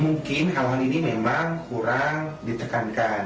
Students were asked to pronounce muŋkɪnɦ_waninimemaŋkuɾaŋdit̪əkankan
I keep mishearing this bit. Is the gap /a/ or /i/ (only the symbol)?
a